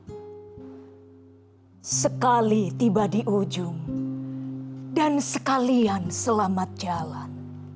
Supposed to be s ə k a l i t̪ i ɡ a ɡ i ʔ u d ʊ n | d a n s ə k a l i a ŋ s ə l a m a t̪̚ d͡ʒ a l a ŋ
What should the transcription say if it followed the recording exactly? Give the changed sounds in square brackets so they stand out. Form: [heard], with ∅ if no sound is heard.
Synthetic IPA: s ə k a l i t̪ i [b] a [d] i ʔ u [d͡ʒ] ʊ [ŋ] | d a n s ə k a l i a [n] s ə l a m a t̪̚ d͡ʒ a l a [n]